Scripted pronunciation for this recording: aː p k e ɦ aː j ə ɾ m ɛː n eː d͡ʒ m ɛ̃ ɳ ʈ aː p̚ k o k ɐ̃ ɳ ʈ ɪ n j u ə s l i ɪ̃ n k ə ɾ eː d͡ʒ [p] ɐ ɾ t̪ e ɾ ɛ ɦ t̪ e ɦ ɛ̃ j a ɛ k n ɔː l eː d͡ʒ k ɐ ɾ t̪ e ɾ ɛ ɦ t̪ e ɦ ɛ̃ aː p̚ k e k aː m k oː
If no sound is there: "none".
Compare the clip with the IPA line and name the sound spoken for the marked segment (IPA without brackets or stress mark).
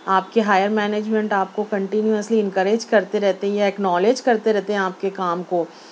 k